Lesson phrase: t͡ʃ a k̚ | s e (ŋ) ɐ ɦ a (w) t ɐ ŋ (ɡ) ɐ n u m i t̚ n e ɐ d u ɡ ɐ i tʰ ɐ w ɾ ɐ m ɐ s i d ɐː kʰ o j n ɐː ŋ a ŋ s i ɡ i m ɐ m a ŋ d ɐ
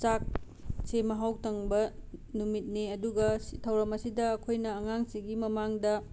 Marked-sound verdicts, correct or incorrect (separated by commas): incorrect, correct, incorrect